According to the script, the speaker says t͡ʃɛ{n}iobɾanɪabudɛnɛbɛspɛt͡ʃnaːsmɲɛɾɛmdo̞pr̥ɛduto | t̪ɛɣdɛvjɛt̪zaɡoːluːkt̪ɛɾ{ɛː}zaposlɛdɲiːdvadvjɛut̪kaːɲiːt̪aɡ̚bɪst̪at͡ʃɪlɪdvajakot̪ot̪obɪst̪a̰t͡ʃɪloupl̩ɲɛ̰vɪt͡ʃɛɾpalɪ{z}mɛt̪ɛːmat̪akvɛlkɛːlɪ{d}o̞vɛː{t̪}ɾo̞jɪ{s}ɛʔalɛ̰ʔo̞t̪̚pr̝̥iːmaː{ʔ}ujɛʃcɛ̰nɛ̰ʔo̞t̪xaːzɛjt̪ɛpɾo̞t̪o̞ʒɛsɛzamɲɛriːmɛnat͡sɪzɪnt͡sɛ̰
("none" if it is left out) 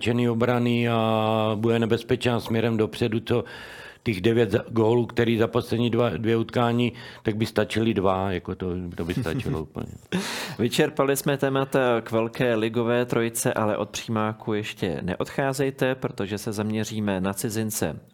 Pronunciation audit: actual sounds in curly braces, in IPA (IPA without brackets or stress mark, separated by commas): n, iː, s, ɡ, t̪, t͡s, k